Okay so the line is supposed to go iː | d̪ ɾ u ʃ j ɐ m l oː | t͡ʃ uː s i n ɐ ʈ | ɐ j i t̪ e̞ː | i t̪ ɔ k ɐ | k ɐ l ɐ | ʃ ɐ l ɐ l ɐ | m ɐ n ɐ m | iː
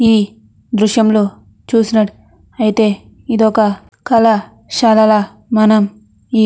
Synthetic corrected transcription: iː | d̪ ɾ u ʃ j ɐ m l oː | t͡ʃ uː s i n ɐ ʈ | ɐ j i t̪ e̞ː | i d̪ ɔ k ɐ | k ɐ l ɐ | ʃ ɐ l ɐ l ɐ | m ɐ n ɐ m | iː